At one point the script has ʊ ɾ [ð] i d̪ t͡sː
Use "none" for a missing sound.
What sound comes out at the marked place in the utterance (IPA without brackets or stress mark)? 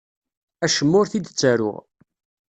θ